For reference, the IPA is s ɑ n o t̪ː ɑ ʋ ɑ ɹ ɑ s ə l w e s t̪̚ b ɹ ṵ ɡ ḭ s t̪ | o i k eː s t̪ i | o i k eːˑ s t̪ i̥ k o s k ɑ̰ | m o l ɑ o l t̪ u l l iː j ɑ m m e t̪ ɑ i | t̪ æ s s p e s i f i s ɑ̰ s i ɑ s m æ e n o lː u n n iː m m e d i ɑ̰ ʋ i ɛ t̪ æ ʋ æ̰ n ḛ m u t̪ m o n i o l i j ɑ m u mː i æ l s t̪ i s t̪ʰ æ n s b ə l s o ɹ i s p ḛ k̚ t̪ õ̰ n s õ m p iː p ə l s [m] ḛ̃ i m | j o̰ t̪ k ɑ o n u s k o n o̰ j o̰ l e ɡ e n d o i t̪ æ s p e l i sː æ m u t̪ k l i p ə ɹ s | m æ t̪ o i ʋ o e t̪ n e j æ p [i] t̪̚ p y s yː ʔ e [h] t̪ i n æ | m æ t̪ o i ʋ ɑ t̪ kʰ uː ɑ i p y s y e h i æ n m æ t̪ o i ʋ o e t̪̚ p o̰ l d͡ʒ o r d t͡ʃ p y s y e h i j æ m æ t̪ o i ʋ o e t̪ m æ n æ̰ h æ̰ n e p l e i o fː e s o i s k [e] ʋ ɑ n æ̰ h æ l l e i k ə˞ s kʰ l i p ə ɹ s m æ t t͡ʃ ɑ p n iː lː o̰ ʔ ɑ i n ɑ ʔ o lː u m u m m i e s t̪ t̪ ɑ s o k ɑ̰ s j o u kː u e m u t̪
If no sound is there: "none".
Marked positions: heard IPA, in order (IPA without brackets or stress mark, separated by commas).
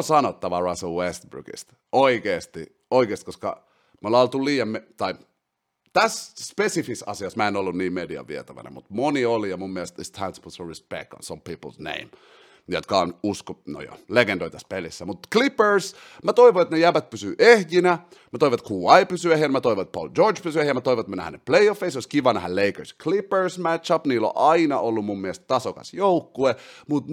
n, æ, h, i